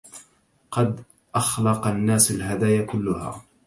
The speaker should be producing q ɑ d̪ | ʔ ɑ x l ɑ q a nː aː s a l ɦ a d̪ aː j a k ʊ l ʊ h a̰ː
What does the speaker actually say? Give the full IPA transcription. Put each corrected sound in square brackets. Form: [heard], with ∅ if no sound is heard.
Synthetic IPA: q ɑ d̪ | ʔ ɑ x l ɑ q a nː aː s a l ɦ a d̪ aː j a k ʊ [lː] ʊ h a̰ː

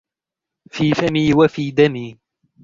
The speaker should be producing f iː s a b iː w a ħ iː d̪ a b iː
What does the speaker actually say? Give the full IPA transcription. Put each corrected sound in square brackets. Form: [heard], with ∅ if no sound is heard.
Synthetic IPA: f iː [f] a [m] iː w a [f] iː d̪ a [m] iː

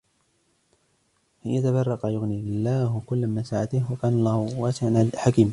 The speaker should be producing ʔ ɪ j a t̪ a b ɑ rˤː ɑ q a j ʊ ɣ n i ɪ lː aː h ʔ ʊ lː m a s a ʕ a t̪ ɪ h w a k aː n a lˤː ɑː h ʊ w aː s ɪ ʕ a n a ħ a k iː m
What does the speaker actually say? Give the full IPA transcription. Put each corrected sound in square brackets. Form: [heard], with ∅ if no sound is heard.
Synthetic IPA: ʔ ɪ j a t̪ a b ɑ rˤː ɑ q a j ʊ ɣ n i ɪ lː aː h [k] ʊ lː m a s a ʕ a t̪ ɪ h w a k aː n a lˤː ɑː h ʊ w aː s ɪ ʕ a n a ħ a k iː m

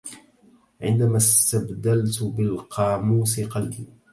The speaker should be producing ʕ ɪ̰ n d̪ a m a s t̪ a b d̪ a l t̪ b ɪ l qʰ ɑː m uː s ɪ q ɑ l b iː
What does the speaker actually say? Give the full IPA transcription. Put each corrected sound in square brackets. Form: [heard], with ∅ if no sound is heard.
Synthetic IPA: ʕ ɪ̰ n d̪ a m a s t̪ a b d̪ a l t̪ b ɪ l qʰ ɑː m uː s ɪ q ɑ l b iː

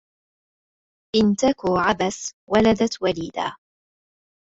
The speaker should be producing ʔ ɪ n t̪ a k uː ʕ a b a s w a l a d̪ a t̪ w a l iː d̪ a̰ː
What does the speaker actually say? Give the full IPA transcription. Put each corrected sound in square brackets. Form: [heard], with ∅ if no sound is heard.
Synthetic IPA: ʔ ɪ n t̪ a k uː ʕ a b a s w a l a d̪ a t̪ w a l iː d̪ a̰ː

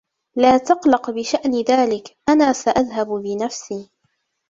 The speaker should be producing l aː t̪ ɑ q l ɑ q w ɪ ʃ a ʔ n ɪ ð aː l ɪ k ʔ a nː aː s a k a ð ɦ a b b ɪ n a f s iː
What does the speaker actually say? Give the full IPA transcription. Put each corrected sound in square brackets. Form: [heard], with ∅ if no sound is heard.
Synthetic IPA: l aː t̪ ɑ q l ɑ q [b] ɪ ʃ a ʔ n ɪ ð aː l ɪ k ʔ a [n] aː s a [ʔ] a ð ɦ a b b ɪ n a f s iː

